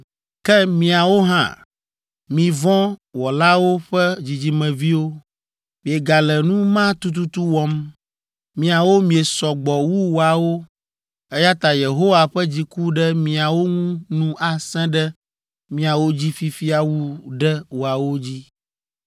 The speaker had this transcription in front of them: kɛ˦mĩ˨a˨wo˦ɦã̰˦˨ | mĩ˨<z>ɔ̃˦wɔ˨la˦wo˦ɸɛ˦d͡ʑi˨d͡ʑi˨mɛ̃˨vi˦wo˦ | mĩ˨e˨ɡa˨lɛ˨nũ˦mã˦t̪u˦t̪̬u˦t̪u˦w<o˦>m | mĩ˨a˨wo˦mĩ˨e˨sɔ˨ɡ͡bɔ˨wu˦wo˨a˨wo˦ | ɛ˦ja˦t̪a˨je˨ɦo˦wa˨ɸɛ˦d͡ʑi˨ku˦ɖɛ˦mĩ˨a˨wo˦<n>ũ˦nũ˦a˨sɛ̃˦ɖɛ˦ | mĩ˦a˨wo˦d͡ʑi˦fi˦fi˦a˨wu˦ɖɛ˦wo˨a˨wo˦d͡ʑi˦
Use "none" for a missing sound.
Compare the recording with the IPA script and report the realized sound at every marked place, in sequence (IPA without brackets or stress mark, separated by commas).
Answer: v, ɔ˦, ŋ